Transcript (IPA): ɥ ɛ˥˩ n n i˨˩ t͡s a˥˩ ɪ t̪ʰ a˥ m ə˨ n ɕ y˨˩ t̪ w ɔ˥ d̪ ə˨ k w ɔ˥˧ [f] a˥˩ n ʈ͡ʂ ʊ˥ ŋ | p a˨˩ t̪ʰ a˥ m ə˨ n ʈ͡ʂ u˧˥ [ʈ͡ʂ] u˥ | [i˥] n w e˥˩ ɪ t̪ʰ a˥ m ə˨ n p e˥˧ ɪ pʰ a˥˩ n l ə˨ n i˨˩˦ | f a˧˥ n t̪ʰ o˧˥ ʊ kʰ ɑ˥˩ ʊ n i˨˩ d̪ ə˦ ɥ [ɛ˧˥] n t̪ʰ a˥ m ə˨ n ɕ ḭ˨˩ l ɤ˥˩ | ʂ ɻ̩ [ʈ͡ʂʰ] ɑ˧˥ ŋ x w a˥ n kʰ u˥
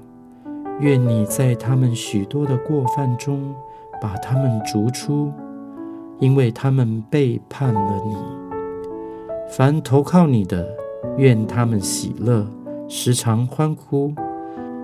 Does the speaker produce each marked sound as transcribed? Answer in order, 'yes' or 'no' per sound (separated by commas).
yes, no, yes, no, yes